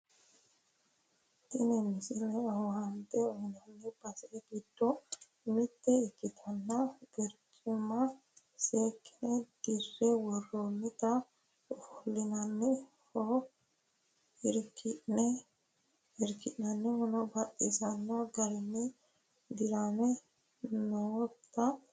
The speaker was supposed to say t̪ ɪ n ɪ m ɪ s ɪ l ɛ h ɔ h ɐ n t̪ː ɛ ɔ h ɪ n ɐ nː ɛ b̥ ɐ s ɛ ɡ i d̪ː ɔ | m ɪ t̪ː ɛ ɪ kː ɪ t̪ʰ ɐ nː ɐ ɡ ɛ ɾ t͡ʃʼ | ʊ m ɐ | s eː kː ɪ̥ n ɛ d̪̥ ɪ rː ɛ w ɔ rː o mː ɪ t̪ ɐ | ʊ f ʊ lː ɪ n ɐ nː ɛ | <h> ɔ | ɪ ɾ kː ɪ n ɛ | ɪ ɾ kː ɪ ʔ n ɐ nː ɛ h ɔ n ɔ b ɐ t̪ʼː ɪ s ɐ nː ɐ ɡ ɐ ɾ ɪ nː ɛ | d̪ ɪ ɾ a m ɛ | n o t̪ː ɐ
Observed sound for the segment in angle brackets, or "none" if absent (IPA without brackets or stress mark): h